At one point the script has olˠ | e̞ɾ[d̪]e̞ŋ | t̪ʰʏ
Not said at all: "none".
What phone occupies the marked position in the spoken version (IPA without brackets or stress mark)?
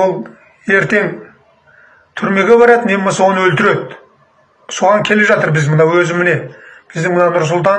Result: t̪